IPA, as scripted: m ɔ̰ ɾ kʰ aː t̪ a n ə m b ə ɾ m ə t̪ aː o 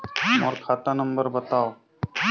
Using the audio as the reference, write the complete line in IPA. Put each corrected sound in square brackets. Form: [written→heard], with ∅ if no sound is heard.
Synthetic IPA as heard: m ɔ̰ ɾ kʰ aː t̪ a n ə m b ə ɾ [m→b] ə t̪ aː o